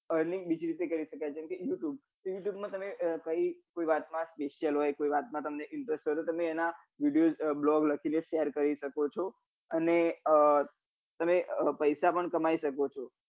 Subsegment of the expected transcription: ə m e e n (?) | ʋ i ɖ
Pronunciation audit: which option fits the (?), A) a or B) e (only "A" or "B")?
A